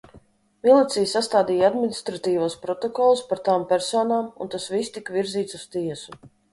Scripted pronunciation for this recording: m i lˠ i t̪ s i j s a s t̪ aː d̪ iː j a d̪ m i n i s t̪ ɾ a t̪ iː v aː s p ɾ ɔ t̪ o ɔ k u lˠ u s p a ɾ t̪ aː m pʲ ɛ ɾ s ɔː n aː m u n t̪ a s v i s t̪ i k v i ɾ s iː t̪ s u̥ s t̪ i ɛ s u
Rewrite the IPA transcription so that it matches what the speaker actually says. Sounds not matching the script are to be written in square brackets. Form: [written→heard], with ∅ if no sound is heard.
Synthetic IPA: m i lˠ i t̪ s i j s a s t̪ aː d̪ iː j a d̪ m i n i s t̪ ɾ a t̪ iː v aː s p ɾ ɔ t̪ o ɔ k [u→ɔ] lˠ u s p a ɾ t̪ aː m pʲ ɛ ɾ s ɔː n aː m u n t̪ a s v i s t̪ i k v i ɾ [s→z] iː t̪ s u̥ s t̪ i ɛ s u